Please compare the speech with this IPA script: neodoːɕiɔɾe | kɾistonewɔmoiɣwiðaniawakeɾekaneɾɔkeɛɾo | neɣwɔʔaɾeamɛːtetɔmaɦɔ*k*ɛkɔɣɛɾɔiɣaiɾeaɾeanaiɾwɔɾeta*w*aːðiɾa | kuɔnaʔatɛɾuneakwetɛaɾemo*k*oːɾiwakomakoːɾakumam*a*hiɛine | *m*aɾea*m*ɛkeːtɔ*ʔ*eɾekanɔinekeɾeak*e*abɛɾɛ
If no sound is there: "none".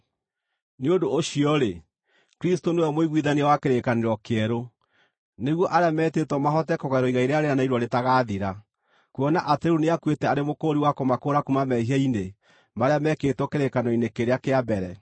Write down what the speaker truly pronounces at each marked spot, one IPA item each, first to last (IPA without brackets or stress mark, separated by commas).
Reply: t, ɣ, k, ɛ, m, m, k, e